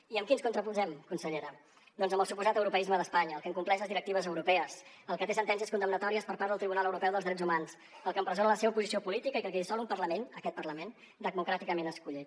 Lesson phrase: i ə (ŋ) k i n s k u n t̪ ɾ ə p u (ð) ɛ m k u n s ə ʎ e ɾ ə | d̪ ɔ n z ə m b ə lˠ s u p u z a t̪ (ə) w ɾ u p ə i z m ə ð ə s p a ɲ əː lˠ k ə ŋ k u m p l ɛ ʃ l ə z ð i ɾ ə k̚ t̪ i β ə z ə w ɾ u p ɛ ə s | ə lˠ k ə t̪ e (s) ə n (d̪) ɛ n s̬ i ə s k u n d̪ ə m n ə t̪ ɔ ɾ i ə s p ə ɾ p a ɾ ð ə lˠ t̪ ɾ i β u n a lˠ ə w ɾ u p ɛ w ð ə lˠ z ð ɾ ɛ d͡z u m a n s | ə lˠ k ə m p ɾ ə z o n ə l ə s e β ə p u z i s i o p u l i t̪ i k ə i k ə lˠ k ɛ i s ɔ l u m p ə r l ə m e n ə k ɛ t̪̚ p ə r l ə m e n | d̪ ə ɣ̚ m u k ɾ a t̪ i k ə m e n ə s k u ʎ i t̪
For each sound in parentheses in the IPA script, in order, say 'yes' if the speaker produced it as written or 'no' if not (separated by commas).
no, no, yes, yes, no